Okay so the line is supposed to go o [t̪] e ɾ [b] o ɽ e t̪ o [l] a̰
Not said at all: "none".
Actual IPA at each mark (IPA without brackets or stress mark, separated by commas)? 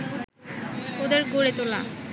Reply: d̪, ɡ, l